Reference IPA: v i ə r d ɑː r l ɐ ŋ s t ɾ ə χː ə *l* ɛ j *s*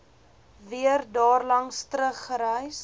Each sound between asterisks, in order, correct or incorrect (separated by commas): incorrect, correct